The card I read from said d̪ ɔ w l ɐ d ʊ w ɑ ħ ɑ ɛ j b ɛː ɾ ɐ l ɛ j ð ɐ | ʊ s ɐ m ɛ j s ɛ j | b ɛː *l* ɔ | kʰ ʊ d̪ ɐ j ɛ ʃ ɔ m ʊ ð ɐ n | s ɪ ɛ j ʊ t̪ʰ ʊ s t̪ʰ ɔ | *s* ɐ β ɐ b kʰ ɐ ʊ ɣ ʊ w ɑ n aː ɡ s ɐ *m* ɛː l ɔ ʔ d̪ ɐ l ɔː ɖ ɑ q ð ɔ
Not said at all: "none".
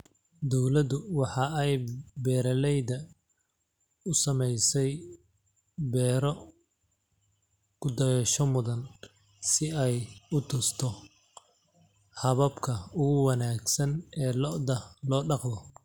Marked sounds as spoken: ɾ, h, n

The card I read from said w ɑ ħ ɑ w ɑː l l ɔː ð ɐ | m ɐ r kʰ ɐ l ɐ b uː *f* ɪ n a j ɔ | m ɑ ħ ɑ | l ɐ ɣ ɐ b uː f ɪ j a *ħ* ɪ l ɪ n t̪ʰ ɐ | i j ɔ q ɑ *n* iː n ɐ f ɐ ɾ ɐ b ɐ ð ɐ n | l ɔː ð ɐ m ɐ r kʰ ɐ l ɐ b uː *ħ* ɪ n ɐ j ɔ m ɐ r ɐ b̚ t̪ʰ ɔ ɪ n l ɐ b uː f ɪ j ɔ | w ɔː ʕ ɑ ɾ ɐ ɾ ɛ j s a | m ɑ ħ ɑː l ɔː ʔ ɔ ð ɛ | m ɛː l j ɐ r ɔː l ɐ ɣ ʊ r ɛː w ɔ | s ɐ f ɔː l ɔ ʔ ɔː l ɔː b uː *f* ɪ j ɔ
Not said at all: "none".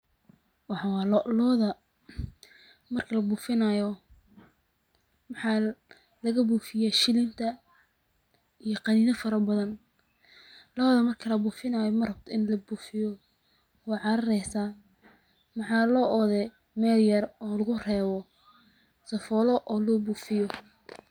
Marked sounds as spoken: f, ʃ, n, f, f

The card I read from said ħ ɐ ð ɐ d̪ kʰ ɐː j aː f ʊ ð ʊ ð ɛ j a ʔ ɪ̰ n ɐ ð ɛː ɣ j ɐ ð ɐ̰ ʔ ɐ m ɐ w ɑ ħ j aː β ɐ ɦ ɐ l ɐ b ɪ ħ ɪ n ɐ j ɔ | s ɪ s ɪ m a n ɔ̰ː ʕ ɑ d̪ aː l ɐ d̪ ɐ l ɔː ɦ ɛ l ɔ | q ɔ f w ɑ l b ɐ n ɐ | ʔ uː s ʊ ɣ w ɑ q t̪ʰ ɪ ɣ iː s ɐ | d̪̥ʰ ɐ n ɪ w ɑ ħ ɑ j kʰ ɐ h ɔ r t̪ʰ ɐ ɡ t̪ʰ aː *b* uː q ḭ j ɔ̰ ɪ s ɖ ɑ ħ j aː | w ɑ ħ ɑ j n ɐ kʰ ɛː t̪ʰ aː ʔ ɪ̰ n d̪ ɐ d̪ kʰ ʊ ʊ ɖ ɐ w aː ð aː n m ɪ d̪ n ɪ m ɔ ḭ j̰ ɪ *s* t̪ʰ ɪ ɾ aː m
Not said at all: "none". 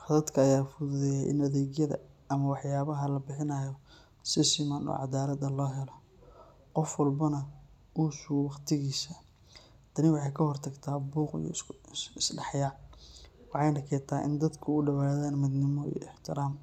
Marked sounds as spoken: b, ħ

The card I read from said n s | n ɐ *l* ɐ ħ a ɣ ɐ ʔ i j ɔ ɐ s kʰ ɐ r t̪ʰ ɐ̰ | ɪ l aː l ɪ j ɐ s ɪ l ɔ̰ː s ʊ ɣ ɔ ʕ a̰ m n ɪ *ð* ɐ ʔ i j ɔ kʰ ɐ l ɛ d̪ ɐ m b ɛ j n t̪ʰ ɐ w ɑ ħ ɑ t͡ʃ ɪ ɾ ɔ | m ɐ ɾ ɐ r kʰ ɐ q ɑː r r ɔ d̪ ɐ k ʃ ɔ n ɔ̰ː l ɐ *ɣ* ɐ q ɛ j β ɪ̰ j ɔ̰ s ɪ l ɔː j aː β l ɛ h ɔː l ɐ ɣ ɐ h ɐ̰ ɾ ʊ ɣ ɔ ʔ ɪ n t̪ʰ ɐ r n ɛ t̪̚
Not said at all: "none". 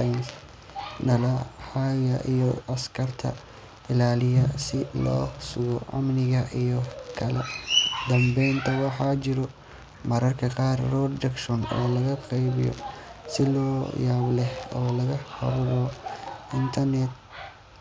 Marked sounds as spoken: l, ɣ, ɣ

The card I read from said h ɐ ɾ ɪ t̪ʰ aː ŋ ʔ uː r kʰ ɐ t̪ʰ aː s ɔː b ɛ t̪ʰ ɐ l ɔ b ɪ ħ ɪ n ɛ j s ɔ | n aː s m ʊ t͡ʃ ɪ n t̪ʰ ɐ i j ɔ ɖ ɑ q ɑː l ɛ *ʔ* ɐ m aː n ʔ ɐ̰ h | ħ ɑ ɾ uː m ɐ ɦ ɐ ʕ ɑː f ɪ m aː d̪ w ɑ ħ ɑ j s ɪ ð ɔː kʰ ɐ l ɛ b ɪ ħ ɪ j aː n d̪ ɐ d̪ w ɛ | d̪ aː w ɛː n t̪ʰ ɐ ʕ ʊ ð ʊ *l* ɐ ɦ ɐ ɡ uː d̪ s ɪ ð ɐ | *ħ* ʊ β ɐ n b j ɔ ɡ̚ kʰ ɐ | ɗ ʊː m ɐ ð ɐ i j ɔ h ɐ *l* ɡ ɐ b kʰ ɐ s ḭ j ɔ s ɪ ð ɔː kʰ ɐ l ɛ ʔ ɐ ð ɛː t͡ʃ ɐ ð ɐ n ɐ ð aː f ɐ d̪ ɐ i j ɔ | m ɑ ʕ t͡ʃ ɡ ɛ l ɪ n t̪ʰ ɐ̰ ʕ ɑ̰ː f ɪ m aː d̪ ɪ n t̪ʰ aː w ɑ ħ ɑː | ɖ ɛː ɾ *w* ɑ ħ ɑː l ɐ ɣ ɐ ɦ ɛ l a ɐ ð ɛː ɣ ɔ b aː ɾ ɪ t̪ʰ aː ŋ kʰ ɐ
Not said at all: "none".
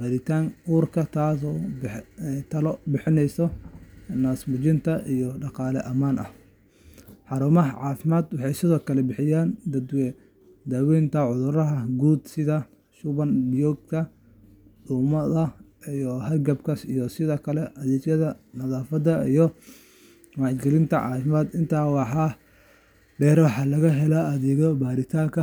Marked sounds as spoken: ʔ, ɾ, ʃ, r, w

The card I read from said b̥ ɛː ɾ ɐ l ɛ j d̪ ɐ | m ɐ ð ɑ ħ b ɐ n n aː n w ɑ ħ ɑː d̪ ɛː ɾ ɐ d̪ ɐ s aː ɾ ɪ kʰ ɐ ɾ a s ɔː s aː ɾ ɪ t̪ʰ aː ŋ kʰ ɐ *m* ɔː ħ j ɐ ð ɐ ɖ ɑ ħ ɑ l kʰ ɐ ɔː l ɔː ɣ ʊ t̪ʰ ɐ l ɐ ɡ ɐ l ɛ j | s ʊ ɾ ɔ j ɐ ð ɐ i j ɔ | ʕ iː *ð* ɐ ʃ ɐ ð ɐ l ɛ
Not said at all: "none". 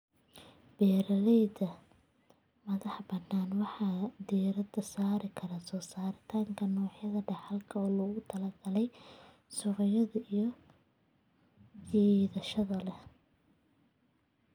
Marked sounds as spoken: n, ð

